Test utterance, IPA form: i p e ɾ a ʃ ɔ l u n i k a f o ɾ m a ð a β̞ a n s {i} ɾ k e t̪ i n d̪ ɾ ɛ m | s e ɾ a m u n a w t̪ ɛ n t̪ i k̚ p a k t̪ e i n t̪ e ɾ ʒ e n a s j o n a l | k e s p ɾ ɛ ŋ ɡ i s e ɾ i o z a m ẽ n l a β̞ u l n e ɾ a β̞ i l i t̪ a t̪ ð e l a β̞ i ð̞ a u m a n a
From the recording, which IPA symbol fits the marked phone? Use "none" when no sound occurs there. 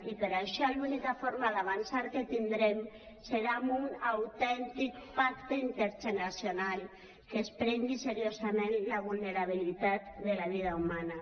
a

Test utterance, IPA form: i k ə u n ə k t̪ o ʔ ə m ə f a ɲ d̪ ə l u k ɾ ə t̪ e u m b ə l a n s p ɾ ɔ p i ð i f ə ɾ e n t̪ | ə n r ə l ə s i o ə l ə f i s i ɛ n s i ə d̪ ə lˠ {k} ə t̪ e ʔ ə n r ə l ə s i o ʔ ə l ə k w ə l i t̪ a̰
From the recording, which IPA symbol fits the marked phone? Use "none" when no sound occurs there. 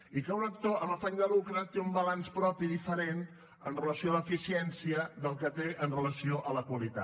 k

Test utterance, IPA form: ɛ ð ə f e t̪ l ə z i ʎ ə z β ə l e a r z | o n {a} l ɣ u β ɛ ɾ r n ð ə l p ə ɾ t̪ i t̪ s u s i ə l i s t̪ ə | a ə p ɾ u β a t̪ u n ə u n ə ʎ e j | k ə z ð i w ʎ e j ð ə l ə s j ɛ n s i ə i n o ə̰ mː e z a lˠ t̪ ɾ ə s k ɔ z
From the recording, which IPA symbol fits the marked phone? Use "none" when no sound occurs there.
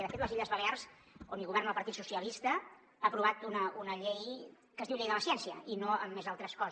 i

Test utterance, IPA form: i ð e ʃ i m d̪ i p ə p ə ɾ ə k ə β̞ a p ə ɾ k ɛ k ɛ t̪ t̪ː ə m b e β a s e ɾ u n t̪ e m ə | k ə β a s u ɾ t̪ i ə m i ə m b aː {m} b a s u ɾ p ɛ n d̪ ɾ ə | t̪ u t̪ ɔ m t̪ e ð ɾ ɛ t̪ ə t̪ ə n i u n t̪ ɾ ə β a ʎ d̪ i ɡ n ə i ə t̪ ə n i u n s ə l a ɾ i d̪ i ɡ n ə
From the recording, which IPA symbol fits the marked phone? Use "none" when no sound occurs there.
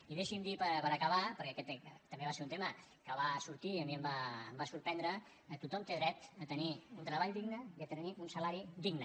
m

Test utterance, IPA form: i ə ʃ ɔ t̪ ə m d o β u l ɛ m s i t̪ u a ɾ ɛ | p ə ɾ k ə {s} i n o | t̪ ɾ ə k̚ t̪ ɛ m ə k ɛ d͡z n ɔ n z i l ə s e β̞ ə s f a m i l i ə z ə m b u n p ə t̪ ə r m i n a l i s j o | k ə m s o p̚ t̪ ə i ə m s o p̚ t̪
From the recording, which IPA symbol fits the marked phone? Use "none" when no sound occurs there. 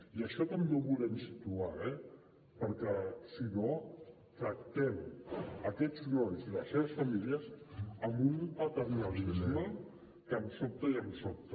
s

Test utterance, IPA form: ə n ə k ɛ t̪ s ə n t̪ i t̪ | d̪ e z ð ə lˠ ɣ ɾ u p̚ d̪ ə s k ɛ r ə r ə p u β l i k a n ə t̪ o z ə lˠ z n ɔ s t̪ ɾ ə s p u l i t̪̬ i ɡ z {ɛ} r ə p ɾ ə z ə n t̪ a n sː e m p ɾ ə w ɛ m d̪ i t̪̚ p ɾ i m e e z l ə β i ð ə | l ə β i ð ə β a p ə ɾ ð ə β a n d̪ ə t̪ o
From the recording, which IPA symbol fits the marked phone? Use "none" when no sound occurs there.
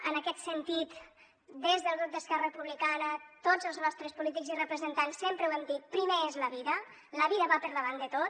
i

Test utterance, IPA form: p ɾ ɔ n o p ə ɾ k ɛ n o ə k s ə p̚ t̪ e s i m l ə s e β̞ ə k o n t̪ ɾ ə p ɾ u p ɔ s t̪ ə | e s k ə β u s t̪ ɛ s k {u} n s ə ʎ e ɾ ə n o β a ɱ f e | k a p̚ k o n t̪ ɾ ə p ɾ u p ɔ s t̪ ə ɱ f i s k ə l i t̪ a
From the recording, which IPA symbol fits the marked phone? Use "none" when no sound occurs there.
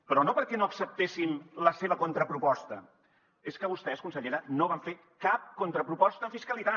u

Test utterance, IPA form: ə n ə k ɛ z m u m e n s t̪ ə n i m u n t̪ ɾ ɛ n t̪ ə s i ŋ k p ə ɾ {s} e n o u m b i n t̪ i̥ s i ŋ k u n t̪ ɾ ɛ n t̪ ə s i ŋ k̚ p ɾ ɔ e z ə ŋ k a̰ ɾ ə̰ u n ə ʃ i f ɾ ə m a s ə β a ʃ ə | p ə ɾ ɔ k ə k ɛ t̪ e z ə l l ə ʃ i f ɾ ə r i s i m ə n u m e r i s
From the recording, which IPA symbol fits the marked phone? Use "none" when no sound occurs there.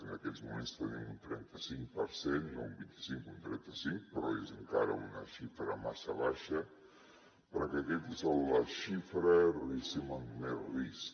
s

